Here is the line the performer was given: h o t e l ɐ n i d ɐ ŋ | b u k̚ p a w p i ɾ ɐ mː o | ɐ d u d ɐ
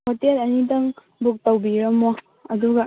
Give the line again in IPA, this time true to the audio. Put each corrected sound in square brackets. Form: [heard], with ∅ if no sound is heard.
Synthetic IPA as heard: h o t e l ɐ n i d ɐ ŋ | b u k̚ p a w [b] i ɾ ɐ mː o | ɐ d u [ɡ] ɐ